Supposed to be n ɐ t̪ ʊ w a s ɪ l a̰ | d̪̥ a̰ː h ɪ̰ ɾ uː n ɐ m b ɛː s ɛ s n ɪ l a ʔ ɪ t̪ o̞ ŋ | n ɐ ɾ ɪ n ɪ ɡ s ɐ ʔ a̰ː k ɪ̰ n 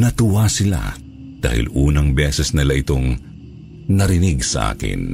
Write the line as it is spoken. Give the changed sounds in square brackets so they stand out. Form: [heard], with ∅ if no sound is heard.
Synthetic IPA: n ɐ t̪ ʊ w a s ɪ l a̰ | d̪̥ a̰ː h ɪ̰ [l] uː n ɐ [ŋ] b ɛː s ɛ s n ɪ l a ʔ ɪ t̪ o̞ ŋ | n ɐ ɾ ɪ n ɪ ɡ s ɐ ʔ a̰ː k ɪ̰ n